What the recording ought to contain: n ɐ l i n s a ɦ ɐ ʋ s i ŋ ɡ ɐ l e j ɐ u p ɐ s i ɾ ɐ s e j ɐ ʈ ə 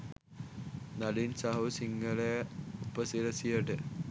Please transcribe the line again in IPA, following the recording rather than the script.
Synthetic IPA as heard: n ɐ l i n s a ɦ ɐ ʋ s i ŋ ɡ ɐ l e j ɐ u p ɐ s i ɾ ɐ s i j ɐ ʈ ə